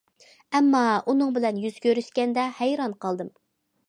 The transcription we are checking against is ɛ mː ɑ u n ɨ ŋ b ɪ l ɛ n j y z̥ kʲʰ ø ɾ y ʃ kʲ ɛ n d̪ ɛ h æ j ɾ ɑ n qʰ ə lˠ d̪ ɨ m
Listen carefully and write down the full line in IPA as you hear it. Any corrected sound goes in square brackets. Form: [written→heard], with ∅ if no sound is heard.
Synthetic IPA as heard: ɛ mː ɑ u n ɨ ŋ b ɪ l ɛ n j y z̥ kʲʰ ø ɾ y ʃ kʲ ɛ n d̪ ɛ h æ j ɾ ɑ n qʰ [ə→ɑ] lˠ d̪ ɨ m